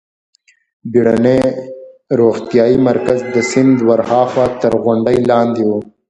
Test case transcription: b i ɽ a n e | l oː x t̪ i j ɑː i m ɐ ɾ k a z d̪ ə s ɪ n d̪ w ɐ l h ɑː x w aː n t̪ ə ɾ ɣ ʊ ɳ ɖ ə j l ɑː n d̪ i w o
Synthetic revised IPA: b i ɽ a n e | ɾ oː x t̪ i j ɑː i m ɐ ɾ k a z d̪ ə s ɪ n d̪ w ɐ ɾ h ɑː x w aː t̪ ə ɾ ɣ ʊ ɳ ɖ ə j l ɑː n d̪ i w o